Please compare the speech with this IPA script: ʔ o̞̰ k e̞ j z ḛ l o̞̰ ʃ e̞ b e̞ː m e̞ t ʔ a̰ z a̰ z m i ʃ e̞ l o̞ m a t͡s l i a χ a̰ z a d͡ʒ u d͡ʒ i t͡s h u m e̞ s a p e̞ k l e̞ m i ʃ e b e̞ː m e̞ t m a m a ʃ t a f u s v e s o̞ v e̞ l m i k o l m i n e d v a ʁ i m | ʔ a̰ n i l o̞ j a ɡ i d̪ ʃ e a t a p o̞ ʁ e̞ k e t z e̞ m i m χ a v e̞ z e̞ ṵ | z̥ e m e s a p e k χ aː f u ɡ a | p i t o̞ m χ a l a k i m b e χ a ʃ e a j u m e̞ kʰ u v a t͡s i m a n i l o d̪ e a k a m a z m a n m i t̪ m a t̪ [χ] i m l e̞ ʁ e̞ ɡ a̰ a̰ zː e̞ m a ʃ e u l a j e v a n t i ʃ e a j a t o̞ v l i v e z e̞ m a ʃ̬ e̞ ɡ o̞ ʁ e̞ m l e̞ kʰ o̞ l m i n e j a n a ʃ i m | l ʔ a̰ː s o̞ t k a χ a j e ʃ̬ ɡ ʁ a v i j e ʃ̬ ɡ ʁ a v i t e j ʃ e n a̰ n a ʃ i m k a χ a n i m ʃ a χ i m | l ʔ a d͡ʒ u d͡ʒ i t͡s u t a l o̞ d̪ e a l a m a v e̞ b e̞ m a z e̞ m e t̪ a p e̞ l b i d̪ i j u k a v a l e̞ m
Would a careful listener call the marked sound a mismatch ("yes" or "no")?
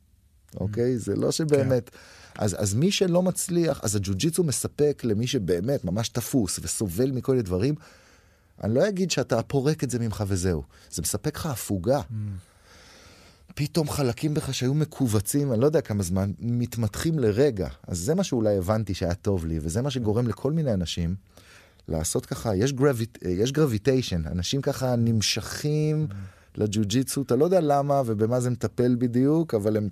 no